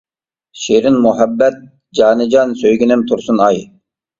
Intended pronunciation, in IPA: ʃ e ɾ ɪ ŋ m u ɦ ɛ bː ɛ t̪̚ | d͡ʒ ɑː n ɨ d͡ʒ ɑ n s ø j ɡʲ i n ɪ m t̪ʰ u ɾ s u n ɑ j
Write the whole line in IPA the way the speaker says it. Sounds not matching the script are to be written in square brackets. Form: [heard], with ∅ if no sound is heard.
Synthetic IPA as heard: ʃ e ɾ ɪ [n] m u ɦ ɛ bː ɛ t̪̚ | d͡ʒ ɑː n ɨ d͡ʒ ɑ n s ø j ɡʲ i n ɪ m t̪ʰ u ɾ s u n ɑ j